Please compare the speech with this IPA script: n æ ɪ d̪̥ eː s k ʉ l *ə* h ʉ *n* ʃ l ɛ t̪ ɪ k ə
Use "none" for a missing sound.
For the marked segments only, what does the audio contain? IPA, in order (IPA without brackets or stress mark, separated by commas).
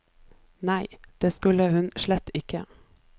ə, n